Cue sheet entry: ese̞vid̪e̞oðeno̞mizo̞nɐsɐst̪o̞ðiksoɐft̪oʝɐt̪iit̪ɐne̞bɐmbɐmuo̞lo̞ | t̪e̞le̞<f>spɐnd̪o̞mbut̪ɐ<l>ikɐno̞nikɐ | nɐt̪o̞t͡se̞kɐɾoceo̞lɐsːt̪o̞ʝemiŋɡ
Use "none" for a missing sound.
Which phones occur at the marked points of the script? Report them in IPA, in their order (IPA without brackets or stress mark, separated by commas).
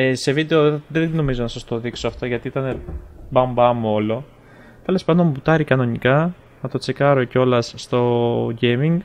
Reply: none, ɾ